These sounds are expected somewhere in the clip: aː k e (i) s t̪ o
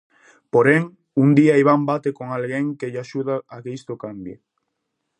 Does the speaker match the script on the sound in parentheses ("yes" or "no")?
yes